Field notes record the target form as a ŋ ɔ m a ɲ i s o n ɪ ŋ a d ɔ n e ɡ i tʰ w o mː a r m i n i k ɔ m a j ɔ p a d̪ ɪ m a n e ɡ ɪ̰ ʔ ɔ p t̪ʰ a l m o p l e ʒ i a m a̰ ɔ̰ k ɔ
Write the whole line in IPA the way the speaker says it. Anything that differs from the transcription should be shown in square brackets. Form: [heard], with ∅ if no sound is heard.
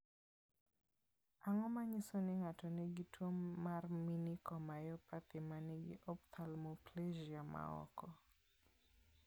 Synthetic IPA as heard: a ŋ ɔ m a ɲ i s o n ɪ ŋ a [t] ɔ n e ɡ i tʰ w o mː a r m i n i k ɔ m a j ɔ p a [t̪] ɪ m a n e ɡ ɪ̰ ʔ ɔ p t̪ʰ a l m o p l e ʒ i a m a̰ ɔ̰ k ɔ